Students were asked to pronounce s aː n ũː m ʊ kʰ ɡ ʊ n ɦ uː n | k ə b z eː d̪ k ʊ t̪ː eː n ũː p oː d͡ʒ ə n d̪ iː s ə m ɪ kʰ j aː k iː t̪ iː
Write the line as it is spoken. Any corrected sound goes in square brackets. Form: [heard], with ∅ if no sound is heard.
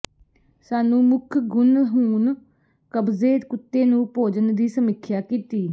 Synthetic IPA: s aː n ũː m ʊ kʰ ɡ ʊ n ɦ uː n | k ə b z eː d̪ k ʊ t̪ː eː n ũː p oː d͡ʒ ə n d̪ iː s ə m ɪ kʰ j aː k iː t̪ iː